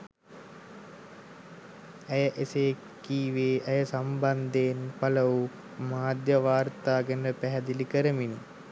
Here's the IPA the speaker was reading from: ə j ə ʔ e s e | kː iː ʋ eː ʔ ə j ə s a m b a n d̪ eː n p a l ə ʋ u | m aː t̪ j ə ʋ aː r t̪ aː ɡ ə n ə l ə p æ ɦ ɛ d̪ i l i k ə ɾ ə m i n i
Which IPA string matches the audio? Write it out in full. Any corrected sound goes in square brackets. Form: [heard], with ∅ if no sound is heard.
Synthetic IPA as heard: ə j ə ʔ e s e | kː iː ʋ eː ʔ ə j ə s a m b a n d̪ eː n p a l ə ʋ u | m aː [d̪] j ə ʋ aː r t̪ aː ɡ ə n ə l ə p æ ɦ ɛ d̪ i l i k ə ɾ ə m i n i